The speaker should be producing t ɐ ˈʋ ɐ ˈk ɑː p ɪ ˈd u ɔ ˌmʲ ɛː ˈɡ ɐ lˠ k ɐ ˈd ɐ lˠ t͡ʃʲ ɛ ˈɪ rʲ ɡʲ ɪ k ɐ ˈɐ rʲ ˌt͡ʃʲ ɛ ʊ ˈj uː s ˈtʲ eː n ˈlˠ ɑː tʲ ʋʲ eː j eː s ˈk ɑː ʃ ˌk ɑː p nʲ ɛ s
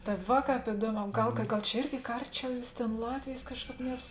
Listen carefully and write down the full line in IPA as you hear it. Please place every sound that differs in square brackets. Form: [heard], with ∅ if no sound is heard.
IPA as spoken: t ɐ ˈʋ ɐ ˈk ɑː p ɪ ˈd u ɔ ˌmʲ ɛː ˈɡ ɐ lˠ k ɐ [ˈɡ] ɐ lˠ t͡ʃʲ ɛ ˈɪ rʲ ɡʲ ɪ k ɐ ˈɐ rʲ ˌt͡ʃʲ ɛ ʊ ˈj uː s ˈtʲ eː n ˈlˠ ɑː tʲ ʋʲ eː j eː s ˈk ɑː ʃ ˌk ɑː p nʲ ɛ s